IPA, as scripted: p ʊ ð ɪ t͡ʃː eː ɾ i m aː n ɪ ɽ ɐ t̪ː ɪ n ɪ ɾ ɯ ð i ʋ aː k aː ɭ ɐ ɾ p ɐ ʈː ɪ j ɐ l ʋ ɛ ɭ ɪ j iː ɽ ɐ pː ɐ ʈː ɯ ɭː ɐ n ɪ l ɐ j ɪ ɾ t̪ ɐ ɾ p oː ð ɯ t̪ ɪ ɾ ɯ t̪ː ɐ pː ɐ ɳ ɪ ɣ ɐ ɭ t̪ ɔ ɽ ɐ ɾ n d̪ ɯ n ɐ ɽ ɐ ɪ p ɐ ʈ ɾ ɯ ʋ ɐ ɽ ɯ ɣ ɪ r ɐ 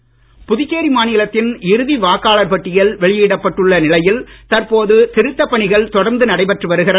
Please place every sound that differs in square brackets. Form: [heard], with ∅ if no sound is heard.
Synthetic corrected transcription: p ʊ ð ɪ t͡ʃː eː ɾ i m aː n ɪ [l] ɐ t̪ː ɪ n ɪ ɾ ɯ ð i ʋ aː k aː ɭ ɐ ɾ p ɐ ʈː ɪ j ɐ l ʋ ɛ ɭ ɪ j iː ɽ ɐ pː ɐ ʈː ɯ ɭː ɐ n ɪ l ɐ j ɪ [l] t̪ ɐ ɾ p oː ð ɯ t̪ ɪ ɾ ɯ t̪ː ɐ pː ɐ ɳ ɪ ɣ ɐ ɭ t̪ ɔ ɽ ɐ ɾ n d̪ ɯ n ɐ ɽ ɐ ɪ p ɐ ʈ [r] ɯ ʋ ɐ [ɾ] ɯ ɣ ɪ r ɐ